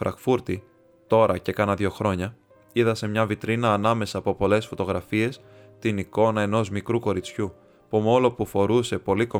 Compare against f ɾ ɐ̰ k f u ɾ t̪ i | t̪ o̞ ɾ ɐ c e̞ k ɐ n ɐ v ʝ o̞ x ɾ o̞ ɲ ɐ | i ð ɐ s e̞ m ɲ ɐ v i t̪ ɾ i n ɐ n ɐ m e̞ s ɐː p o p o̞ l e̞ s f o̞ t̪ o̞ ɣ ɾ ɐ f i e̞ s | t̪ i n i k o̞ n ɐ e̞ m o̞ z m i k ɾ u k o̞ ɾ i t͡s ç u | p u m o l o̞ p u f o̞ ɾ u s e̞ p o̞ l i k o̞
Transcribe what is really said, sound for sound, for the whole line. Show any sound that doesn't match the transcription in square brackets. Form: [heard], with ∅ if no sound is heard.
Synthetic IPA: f ɾ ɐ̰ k f u ɾ t̪ i | t̪ o̞ ɾ ɐ c e̞ k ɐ n ɐ [ð] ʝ o̞ x ɾ o̞ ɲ ɐ | i ð ɐ s e̞ m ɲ ɐ v i t̪ ɾ i n [ɐː] n ɐ m e̞ s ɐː p o p o̞ l e̞ s f o̞ t̪ o̞ ɣ ɾ ɐ f i e̞ s | t̪ i n i k o̞ n ɐ e̞ [n] o̞ z m i k ɾ u k o̞ ɾ i t͡s ç u | p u m o l o̞ p u f o̞ ɾ u s e̞ p o̞ l i k o̞